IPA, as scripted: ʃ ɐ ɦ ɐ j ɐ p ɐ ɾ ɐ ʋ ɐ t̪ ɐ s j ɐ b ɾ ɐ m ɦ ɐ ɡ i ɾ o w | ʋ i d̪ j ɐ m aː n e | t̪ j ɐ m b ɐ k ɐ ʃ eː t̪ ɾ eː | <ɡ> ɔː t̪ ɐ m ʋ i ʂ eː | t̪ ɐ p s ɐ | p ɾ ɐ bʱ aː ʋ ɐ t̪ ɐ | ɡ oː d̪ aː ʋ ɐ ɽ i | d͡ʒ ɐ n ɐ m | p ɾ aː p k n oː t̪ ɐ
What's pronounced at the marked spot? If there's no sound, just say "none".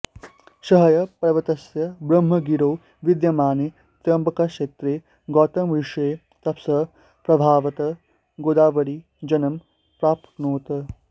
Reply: ɡ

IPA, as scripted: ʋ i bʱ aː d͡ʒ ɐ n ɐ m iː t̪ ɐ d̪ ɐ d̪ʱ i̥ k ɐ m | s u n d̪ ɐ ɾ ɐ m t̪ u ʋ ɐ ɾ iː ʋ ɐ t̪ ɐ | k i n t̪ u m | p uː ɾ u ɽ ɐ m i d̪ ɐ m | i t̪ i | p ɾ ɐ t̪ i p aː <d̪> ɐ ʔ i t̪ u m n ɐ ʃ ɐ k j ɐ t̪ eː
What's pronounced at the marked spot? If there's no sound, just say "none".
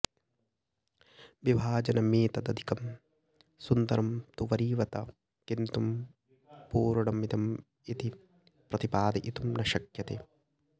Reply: d̪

